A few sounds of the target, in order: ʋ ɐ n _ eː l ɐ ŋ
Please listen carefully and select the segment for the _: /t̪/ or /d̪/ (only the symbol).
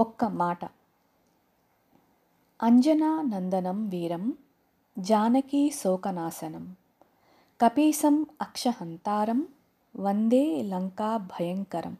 d̪